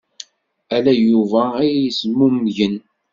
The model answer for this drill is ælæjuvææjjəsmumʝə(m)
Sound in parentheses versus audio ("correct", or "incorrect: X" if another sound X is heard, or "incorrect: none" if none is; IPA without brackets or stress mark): incorrect: n